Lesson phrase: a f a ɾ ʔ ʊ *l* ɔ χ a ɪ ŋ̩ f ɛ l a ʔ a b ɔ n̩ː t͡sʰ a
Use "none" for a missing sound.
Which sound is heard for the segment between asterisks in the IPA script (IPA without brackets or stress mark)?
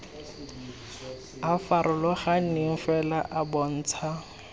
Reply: l